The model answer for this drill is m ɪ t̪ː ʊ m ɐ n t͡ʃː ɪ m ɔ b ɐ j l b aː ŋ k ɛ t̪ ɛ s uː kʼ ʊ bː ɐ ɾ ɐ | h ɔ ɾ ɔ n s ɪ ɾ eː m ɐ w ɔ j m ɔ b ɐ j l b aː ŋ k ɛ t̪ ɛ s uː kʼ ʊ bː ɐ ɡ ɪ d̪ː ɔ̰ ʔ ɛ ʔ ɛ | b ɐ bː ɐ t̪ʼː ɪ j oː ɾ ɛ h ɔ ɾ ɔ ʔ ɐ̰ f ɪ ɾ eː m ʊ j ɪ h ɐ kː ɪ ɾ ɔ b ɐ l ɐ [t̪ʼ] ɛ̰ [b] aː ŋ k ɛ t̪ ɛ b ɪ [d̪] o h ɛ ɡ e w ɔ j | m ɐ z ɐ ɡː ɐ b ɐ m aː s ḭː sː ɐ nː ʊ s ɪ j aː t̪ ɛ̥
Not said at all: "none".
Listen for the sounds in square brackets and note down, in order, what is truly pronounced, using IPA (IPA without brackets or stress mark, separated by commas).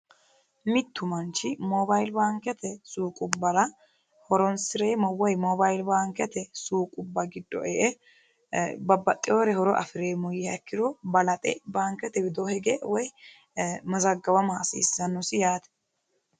t̪ʼ, b, d̪